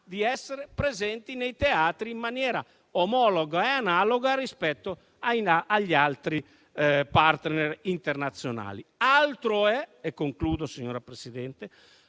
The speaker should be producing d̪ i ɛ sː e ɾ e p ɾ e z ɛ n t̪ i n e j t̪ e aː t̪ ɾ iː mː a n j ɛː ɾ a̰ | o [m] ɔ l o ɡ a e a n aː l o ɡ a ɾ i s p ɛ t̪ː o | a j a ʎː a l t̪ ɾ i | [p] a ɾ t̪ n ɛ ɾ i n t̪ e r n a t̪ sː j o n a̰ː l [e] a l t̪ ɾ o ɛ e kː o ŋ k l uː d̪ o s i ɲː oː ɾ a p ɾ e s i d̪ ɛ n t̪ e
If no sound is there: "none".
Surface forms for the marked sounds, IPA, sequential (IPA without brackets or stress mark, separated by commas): m, p, i